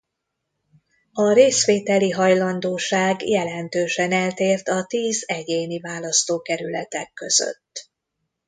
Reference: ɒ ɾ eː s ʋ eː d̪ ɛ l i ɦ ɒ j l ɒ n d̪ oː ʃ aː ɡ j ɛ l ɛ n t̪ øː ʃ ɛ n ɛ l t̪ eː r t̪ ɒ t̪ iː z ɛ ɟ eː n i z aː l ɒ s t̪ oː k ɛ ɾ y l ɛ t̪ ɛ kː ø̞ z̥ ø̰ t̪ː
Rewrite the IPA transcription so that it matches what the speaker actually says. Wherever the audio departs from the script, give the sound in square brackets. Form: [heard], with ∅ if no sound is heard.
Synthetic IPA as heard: ɒ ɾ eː s ʋ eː [t̪] ɛ l i ɦ ɒ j l ɒ n d̪ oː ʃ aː ɡ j ɛ l ɛ n t̪ øː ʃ ɛ n ɛ l t̪ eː r t̪ ɒ t̪ iː z ɛ ɟ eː n i [v] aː l ɒ s t̪ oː k ɛ ɾ y l ɛ t̪ ɛ kː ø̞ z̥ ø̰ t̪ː

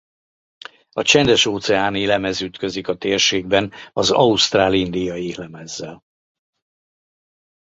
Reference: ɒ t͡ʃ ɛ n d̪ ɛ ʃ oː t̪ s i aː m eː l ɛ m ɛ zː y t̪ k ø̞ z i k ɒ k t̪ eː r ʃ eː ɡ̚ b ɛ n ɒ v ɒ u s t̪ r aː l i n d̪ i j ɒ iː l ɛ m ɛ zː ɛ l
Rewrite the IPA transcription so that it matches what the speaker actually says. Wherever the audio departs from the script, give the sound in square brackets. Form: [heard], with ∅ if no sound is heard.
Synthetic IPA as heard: ɒ t͡ʃ ɛ n d̪ ɛ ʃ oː t̪ s [ɛ] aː [n] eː l ɛ m ɛ [z] y t̪ k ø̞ z i k ɒ [∅] t̪ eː r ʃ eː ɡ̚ b ɛ n ɒ [z] ɒ u s t̪ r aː l i n d̪ i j ɒ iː l ɛ m ɛ zː ɛ l

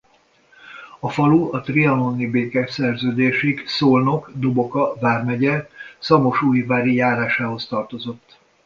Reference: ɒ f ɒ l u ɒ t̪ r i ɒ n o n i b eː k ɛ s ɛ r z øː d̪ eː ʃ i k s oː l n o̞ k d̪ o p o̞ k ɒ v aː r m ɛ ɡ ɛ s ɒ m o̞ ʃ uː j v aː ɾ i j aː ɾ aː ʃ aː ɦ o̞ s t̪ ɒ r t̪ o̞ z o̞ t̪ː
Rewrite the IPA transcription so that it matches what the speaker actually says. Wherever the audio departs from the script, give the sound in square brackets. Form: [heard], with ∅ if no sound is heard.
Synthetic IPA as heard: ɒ f ɒ l u ɒ t̪ r i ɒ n o n i b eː k ɛ s ɛ r z øː d̪ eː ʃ i k s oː l n o̞ k d̪ o [b] o̞ k ɒ v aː r m ɛ [ɟ] ɛ s ɒ m o̞ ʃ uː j v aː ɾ i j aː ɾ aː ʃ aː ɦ o̞ s t̪ ɒ r t̪ o̞ z o̞ t̪ː

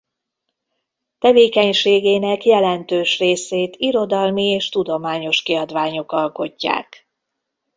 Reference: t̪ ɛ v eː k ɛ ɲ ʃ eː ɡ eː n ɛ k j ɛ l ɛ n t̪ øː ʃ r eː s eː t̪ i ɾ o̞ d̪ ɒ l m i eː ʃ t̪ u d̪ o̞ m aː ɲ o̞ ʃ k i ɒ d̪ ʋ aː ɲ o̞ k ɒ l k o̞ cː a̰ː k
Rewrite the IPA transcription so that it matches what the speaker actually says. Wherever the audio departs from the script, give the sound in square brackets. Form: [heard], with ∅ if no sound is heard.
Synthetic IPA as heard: t̪ ɛ v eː k ɛ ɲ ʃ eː ɡ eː n ɛ k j ɛ l ɛ n t̪ øː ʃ r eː s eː t̪ i ɾ o̞ d̪ ɒ l m i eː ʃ t̪ u d̪ o̞ m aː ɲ o̞ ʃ k i ɒ d̪ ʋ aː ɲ o̞ k ɒ l k o̞ cː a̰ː k

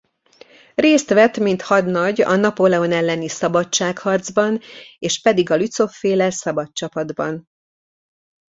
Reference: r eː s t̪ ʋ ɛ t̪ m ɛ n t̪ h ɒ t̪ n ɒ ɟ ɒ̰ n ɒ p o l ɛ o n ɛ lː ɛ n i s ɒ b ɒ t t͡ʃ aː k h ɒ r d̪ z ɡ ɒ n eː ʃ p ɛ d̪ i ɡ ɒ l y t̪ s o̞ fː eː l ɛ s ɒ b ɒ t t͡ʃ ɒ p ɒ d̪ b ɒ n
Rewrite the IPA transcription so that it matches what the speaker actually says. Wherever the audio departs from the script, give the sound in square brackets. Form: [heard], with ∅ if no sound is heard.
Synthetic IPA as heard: r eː s t̪ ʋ ɛ t̪ m [i] n t̪ h ɒ [d̪] n ɒ ɟ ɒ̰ n ɒ p o l ɛ o n ɛ lː ɛ n i s ɒ b ɒ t t͡ʃ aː k h ɒ r d̪ z [b] ɒ n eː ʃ p ɛ d̪ i ɡ ɒ l y t̪ s o̞ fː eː l ɛ s ɒ b ɒ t t͡ʃ ɒ p ɒ d̪ b ɒ n

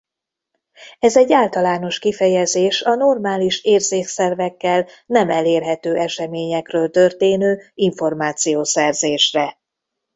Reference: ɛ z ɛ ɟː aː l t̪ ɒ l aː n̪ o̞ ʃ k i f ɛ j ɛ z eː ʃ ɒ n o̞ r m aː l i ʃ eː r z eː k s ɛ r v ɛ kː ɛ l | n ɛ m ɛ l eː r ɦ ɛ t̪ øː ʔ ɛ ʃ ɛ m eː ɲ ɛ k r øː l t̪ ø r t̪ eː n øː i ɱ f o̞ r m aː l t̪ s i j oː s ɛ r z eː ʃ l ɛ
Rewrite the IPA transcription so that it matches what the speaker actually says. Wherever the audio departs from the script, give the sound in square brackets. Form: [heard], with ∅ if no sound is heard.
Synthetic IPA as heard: ɛ z ɛ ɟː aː l t̪ ɒ l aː n̪ o̞ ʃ k i f ɛ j ɛ z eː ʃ ɒ n o̞ r m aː l i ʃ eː r z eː k s ɛ r v ɛ kː ɛ l | n ɛ m ɛ l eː r ɦ ɛ t̪ øː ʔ ɛ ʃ ɛ m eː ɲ ɛ k r øː l t̪ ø r t̪ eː n øː i ɱ f o̞ r m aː [∅] t̪ s i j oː s ɛ r z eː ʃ [r] ɛ

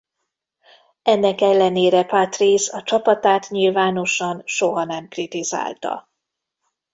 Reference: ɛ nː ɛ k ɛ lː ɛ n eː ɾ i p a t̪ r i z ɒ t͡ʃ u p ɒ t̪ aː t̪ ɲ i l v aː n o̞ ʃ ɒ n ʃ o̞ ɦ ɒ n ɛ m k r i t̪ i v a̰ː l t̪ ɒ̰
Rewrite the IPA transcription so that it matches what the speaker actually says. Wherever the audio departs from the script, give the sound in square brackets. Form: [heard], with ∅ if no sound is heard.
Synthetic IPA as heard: ɛ nː ɛ k ɛ lː ɛ n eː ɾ [ɛ] p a t̪ r i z ɒ t͡ʃ [ɒ] p ɒ t̪ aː t̪ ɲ i l v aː n o̞ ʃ ɒ n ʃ o̞ ɦ ɒ n ɛ m k r i t̪ i [z] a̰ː l t̪ ɒ̰

